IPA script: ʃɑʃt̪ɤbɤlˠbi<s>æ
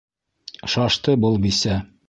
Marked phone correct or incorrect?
correct